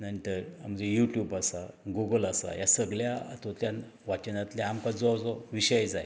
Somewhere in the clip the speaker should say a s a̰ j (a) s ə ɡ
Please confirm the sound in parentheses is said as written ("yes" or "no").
yes